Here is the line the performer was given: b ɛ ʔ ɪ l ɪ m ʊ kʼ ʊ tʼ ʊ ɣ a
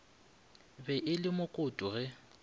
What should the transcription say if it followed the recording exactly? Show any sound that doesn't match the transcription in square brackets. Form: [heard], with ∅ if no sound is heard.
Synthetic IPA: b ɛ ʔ ɪ l ɪ m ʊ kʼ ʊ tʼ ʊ ɣ [ɛ]